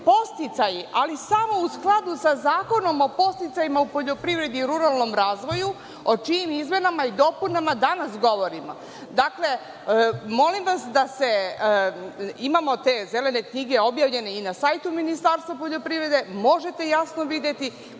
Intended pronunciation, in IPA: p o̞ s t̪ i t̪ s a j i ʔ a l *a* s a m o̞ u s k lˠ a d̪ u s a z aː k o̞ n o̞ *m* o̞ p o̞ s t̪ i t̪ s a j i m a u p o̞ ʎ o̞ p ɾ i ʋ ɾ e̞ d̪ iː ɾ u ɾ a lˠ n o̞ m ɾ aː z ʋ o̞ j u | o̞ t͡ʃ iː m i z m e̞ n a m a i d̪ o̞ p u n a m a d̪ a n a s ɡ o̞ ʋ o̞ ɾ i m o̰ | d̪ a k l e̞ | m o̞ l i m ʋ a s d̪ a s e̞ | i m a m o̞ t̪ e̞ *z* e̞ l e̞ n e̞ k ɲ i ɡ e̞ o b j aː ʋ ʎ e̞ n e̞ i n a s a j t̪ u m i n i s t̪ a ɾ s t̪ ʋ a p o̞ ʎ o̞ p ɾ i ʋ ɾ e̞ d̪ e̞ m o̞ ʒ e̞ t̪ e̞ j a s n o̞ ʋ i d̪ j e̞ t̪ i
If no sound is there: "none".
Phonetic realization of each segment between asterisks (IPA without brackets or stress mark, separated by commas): i, m, z